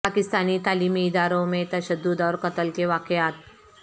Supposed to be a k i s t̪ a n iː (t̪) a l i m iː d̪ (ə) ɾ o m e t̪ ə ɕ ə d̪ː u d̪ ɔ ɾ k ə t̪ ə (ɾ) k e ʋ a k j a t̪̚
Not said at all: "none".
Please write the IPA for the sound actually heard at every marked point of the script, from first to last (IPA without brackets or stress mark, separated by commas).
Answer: t̪, a, l